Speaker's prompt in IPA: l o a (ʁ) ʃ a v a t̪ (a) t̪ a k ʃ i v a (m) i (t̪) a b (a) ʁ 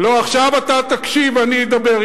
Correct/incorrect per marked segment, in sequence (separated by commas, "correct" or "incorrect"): incorrect, correct, incorrect, incorrect, incorrect